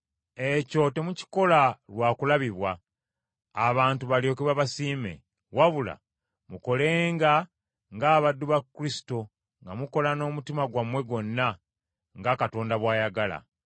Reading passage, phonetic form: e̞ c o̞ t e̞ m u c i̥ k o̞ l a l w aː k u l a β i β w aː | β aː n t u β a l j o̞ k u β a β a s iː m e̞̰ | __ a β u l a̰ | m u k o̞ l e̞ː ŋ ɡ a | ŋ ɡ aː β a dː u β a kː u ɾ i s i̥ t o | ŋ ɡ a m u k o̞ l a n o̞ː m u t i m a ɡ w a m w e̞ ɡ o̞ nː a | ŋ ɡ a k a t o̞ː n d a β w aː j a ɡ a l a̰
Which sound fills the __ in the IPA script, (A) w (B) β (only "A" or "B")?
A